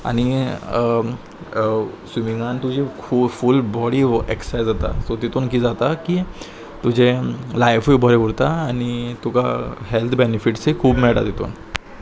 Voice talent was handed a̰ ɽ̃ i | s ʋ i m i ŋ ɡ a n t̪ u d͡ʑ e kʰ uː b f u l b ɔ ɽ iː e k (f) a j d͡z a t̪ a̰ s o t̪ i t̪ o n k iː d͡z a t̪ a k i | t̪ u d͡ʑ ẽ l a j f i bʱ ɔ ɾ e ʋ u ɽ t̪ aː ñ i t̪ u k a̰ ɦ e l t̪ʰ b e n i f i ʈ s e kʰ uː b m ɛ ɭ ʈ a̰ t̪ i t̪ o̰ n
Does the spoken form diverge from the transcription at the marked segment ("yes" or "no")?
yes